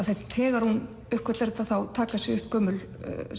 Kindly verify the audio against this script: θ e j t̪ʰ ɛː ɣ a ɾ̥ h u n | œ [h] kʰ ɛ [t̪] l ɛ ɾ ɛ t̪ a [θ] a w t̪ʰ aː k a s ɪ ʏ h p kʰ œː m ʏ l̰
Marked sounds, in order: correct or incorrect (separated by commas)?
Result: correct, correct, correct